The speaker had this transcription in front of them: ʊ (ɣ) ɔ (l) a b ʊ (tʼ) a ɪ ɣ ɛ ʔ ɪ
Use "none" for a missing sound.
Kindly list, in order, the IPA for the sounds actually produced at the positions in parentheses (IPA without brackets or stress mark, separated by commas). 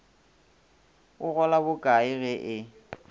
ɣ, l, kʼ